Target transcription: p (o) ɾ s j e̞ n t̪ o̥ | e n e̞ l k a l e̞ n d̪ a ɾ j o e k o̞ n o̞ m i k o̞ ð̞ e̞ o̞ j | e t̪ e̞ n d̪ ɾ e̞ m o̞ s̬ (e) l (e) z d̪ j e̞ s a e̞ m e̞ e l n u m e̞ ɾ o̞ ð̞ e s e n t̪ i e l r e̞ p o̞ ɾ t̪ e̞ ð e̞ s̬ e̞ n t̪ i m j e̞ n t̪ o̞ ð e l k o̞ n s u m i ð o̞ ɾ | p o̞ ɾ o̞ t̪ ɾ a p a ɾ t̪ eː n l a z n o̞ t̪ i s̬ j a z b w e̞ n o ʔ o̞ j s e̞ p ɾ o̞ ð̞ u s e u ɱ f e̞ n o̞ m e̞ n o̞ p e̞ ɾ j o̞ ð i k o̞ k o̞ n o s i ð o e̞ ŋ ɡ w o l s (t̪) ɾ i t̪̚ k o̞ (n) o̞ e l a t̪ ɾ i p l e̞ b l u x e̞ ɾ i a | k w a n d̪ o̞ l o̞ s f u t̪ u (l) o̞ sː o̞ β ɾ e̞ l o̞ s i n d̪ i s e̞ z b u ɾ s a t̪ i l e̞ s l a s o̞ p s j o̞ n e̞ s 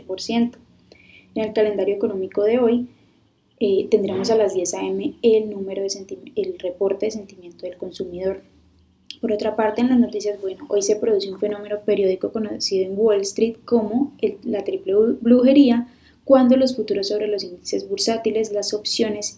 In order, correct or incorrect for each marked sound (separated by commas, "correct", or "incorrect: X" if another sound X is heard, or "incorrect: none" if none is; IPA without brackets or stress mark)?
correct, incorrect: a, incorrect: a, correct, incorrect: m, incorrect: ɾ